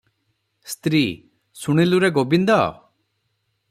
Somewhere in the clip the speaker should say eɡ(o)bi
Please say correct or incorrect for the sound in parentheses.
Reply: correct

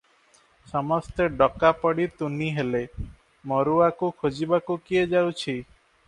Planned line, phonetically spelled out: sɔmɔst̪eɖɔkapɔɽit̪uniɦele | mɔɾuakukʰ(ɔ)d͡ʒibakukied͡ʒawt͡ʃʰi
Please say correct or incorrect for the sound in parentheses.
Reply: incorrect: o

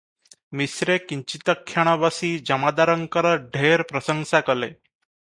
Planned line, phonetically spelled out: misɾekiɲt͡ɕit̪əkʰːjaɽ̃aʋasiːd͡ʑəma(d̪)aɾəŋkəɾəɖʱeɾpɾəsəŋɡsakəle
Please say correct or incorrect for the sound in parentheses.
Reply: correct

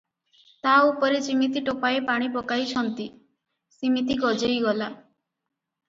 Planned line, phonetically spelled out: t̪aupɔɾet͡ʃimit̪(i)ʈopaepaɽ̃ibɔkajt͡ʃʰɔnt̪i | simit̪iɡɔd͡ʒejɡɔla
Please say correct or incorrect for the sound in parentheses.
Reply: correct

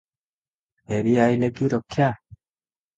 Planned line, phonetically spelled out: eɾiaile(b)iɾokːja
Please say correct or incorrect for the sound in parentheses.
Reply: incorrect: ɡ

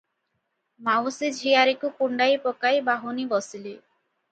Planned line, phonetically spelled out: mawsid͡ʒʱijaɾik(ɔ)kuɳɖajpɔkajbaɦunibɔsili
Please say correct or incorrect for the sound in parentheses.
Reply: incorrect: u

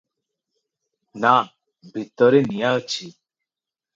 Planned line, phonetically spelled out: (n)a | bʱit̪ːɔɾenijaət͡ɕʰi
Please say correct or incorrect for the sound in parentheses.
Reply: correct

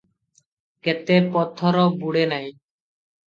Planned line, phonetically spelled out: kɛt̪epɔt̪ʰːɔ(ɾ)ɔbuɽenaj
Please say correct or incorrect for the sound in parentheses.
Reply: correct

